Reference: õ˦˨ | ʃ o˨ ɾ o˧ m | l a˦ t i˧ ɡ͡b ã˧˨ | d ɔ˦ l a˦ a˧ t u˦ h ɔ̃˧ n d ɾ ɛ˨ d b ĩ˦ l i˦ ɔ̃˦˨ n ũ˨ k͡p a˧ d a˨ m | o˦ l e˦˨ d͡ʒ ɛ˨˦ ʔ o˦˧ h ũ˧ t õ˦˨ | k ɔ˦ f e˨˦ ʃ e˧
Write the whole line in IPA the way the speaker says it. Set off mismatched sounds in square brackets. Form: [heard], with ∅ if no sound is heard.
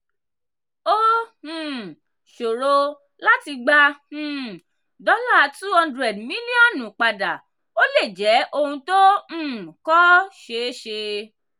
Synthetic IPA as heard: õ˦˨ | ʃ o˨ ɾ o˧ [∅] | l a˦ t i˧ ɡ͡b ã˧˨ | d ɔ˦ l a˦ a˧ t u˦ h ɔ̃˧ n d ɾ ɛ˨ d [m] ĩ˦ l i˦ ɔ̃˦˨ n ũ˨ k͡p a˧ d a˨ [∅] | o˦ l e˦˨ d͡ʒ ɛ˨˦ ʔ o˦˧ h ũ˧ t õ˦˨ | k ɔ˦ [ʃ] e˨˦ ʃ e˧